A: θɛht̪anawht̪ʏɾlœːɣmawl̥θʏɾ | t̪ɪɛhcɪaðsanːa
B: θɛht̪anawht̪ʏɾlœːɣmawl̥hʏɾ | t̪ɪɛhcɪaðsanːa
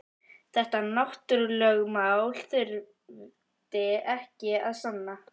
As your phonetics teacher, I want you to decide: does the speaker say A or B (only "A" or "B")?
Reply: A